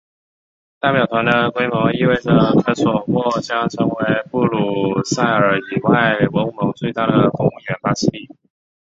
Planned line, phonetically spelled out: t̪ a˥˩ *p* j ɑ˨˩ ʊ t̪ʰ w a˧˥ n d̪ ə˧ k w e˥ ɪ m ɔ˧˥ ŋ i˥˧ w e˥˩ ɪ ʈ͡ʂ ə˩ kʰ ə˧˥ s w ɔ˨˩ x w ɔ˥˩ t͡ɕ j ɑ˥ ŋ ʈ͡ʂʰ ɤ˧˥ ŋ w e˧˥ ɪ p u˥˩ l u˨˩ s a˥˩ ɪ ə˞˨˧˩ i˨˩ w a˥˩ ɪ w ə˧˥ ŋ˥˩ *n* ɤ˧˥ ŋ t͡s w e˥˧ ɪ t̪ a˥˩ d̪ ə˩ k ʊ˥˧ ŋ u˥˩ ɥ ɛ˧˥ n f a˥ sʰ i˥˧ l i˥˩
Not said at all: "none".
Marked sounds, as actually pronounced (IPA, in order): p, m

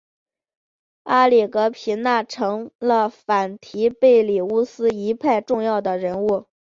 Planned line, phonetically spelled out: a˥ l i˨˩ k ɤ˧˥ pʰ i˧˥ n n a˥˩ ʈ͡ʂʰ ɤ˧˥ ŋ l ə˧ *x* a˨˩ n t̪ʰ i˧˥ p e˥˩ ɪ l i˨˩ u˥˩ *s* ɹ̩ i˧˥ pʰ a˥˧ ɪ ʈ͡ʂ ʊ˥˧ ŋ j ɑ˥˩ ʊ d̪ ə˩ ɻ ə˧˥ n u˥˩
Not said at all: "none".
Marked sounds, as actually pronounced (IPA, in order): f, s

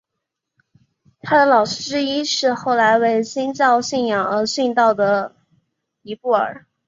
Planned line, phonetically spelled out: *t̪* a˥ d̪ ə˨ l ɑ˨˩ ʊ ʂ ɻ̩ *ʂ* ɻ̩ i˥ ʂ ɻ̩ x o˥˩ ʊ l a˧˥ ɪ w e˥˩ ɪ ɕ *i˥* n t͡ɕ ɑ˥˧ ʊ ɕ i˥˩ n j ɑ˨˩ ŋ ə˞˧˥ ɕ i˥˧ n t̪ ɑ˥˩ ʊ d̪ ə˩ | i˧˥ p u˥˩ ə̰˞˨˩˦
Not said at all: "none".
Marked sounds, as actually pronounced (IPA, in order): t̪ʰ, ʈ͡ʂ, i˥

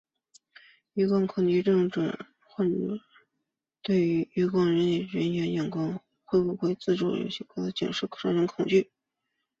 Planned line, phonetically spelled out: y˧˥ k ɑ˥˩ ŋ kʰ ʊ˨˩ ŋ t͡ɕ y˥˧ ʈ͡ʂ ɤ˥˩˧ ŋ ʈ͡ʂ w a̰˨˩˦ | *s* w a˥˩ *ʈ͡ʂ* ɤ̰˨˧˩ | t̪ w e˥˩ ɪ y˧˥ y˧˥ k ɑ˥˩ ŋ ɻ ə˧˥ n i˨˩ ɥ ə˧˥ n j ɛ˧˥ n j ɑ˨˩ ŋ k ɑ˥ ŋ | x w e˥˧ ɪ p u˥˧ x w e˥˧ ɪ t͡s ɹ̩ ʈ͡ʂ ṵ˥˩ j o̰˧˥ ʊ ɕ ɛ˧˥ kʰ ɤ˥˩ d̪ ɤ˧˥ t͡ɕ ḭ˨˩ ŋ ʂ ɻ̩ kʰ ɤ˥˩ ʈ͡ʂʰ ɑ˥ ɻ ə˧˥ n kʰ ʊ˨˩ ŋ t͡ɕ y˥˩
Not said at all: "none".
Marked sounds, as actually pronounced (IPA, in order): x, ʈ͡ʂ

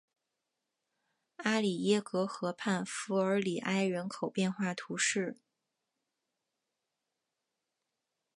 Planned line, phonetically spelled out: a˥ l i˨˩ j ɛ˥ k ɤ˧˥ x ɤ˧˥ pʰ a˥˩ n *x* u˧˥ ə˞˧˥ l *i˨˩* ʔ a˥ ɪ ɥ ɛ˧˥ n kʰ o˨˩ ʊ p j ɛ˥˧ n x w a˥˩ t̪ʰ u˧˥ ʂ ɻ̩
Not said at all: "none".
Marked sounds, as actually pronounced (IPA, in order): f, i˨˩

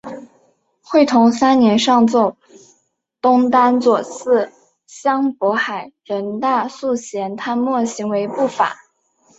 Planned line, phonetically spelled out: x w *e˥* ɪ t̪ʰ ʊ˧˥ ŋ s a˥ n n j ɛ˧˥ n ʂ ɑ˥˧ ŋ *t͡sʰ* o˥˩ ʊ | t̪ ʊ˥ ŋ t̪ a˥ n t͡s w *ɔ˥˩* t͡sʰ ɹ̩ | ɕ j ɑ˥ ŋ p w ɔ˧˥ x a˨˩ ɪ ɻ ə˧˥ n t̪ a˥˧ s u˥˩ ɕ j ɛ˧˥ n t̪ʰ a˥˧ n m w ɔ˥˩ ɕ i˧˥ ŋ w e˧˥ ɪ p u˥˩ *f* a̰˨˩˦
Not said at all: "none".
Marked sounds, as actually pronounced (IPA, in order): e˥˩, t͡s, ɔ˨˩, f

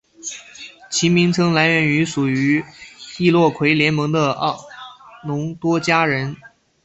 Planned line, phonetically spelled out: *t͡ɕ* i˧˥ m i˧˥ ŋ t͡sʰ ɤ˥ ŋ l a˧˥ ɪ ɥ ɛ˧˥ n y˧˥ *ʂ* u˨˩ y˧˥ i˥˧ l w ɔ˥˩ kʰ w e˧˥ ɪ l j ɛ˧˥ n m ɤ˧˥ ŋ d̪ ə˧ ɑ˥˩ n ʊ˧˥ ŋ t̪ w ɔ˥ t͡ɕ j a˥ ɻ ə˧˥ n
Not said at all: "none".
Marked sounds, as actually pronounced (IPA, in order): t͡ɕʰ, ʂ

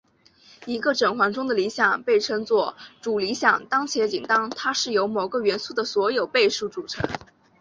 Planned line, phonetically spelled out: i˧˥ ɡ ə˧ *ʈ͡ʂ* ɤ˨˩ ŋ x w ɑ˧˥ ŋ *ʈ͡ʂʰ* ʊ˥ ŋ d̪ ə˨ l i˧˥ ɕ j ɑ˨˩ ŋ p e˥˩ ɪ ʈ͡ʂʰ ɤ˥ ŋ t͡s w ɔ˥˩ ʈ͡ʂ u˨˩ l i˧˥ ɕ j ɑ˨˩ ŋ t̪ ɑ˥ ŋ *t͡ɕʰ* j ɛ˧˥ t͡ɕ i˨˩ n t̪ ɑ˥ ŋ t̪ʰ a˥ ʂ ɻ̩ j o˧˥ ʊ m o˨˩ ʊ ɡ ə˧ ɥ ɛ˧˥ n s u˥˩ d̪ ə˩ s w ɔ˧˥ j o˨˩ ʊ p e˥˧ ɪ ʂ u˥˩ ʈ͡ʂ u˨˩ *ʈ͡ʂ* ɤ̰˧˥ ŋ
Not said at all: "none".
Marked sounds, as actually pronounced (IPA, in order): ʈ͡ʂ, ʈ͡ʂ, t͡ɕʰ, ʈ͡ʂʰ

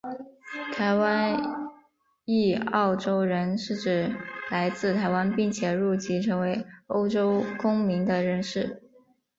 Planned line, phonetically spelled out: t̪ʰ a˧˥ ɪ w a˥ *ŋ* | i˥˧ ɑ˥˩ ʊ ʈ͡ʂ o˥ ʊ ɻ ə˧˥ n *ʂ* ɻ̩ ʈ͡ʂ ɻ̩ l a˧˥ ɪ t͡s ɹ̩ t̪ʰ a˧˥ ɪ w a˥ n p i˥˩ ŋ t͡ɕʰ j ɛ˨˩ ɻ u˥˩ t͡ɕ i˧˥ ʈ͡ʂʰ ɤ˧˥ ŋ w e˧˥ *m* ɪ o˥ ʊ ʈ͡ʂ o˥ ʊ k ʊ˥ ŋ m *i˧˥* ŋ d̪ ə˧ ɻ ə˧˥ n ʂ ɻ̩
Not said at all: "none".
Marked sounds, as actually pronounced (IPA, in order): n, ʂ, none, i˧˥

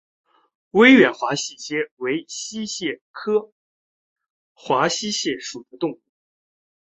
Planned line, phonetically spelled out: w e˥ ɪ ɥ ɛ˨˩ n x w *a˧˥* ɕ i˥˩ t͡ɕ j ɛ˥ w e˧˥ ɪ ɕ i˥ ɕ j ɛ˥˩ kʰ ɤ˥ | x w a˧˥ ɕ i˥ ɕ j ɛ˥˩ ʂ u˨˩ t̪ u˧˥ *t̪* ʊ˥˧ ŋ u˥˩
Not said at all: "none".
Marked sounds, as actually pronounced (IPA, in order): a˧˥, t̪

